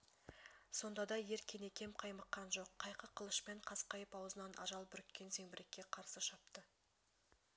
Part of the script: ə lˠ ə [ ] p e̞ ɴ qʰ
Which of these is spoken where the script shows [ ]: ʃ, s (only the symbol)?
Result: ʃ